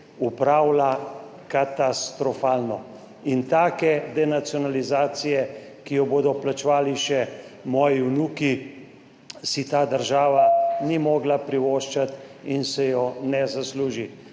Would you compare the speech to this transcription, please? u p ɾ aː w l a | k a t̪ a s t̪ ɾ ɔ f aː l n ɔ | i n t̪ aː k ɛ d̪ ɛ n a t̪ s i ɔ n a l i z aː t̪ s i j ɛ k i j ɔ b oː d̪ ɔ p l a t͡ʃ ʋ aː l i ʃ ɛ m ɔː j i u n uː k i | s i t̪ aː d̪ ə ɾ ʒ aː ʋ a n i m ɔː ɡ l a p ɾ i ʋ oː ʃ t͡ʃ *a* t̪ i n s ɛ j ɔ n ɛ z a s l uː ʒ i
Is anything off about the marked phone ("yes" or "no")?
no